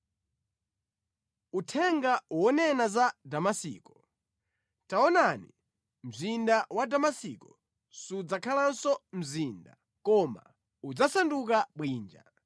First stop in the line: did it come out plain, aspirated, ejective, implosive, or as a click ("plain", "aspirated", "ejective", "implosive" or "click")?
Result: aspirated